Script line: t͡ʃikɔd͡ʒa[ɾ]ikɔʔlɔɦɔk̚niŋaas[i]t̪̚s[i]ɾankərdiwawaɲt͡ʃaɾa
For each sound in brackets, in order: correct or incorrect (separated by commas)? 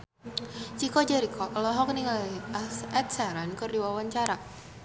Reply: correct, incorrect, incorrect